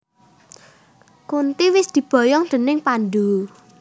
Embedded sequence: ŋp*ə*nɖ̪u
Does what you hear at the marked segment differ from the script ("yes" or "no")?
yes